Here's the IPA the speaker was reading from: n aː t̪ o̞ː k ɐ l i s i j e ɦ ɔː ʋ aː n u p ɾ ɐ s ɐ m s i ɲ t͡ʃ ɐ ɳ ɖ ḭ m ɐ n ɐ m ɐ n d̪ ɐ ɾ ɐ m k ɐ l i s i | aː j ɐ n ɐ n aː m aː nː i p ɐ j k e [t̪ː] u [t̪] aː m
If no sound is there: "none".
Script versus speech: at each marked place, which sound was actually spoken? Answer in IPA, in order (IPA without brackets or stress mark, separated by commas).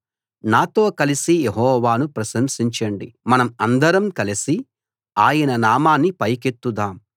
t̪ː, d̪